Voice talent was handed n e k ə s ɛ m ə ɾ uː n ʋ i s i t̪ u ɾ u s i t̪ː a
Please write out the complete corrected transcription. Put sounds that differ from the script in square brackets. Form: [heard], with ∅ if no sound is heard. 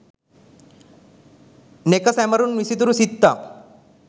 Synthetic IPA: n e k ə s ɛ m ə ɾ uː n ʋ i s i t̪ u ɾ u s i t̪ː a

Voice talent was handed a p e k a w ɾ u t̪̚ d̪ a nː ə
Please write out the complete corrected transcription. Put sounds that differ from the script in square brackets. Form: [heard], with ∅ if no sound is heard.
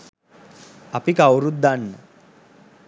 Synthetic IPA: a p [i] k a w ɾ u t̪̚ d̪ a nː ə

